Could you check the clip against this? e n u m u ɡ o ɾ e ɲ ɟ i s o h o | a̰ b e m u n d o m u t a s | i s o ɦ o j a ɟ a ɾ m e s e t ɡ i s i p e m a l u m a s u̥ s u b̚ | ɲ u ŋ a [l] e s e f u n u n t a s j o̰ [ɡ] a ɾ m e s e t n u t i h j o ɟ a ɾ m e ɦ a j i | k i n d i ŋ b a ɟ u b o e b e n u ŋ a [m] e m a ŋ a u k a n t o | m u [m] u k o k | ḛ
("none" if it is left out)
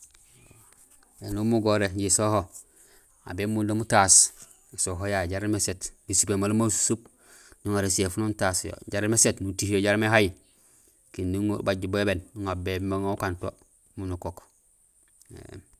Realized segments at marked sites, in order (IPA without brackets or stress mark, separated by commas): ɾ, ɟ, b, n